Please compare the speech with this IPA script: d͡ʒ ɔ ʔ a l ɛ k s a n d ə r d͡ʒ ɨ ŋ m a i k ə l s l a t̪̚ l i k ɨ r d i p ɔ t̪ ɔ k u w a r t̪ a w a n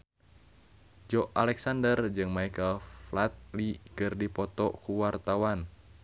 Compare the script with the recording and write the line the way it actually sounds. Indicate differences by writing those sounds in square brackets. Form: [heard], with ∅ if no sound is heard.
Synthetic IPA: d͡ʒ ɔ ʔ a l ɛ k s a n d ə r d͡ʒ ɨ ŋ m a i k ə l [f] l a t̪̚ l i k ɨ r d i p ɔ t̪ ɔ k u w a r t̪ a w a n